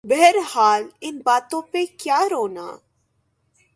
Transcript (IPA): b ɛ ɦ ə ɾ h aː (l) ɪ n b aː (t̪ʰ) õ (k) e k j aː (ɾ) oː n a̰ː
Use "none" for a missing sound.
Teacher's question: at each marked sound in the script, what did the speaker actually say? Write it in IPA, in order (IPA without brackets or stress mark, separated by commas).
l, t̪, p, ɾ